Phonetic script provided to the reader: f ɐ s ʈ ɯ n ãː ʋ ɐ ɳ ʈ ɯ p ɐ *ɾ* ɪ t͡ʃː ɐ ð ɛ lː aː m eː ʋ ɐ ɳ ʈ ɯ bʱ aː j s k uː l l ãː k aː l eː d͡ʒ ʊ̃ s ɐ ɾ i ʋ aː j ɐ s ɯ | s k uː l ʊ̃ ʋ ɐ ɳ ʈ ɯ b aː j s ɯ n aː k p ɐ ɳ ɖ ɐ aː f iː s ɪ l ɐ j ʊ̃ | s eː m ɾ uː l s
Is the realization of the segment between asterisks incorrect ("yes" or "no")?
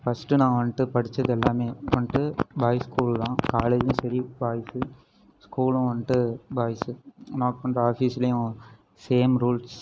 yes